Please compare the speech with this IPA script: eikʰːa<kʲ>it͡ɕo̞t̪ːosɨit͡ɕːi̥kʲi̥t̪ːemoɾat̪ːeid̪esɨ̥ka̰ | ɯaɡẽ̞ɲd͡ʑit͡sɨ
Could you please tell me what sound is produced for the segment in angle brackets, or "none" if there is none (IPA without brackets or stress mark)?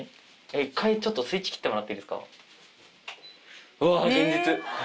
none